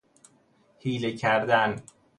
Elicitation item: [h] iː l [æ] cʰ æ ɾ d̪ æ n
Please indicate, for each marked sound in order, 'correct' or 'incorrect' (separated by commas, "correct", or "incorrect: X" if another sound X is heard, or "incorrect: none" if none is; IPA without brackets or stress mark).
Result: correct, incorrect: e